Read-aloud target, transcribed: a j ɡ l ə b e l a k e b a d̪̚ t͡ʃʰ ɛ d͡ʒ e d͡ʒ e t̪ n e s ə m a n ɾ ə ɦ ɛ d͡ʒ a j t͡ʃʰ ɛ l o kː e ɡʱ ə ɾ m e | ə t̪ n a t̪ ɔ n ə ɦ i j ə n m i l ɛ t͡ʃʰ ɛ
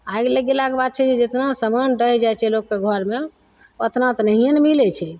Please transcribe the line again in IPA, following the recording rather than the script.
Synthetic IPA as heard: a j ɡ l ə ɡ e l a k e b a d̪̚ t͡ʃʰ ɛ d͡ʒ e d͡ʒ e t̪ n a s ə m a n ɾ ə ɦ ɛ d͡ʒ a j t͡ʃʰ ɛ l o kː e ɡʱ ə ɾ m e | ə t̪ n a t̪ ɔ n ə ɦ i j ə n m i l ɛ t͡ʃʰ ɛ